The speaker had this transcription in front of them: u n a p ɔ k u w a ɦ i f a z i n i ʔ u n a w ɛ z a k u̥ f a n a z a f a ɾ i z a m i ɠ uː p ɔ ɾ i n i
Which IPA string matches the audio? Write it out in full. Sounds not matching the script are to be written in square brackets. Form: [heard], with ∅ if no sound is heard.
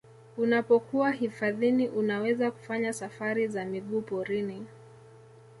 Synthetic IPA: u n a p ɔ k u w a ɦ i f a [ð] i n i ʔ u n a w ɛ z a k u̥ f a [ɲ] a [s] a f a ɾ i z a m i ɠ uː p ɔ ɾ i n i